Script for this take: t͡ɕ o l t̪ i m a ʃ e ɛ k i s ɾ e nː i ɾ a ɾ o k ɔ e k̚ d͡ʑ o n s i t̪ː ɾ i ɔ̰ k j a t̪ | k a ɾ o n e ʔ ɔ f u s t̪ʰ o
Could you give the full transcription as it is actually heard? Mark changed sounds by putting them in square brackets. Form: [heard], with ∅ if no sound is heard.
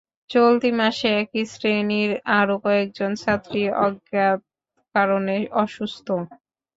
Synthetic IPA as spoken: t͡ɕ o l t̪ i m a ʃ e ɛ k i s ɾ e [n] i ɾ a ɾ o k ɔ e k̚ d͡ʑ o n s [a] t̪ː ɾ i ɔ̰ [ɡ] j a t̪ | k a ɾ o n e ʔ ɔ [ʃ] u s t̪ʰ o